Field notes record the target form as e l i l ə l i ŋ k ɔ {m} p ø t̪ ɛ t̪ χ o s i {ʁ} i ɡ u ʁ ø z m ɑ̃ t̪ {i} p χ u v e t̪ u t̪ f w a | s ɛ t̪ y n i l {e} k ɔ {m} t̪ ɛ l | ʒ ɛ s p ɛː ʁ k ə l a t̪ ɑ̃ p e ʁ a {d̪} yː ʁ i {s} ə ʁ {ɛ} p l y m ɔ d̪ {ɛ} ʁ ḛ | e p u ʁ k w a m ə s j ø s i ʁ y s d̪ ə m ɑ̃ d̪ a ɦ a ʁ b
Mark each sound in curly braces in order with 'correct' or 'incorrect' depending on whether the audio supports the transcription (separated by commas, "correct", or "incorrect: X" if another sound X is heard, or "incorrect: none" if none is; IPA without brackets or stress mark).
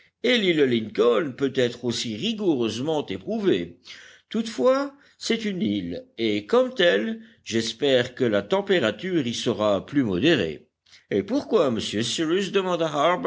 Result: incorrect: n, correct, incorrect: e, correct, correct, incorrect: t̪, correct, incorrect: a, incorrect: e